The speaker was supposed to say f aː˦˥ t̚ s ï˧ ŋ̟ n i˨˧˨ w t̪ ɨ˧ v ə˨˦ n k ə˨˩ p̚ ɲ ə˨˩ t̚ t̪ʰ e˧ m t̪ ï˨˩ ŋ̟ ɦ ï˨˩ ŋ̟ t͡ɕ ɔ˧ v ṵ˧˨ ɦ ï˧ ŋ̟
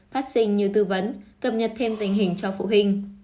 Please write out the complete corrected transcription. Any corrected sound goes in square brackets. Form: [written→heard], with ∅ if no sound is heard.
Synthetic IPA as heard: f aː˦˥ t̚ s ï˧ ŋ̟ [n→ɲ] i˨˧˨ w t̪ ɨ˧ v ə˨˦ n k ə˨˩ p̚ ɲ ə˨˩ t̚ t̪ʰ e˧ m t̪ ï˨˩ ŋ̟ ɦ ï˨˩ ŋ̟ t͡ɕ ɔ˧ [v→f] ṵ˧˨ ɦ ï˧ ŋ̟